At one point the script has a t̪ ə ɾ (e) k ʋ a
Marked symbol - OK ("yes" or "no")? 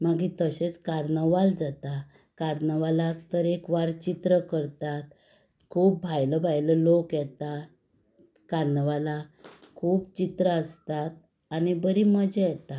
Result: yes